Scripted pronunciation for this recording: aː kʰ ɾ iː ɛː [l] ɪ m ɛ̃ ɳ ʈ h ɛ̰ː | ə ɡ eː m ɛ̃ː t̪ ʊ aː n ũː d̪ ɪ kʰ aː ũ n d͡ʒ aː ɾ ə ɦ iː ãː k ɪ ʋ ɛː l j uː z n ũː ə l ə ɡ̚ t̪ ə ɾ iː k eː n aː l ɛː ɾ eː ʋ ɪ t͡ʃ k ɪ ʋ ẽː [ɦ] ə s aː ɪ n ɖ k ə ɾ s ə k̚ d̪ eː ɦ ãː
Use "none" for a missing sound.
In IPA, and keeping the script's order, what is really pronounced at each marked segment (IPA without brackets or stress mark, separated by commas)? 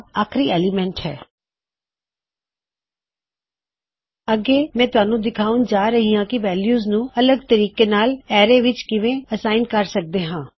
l, none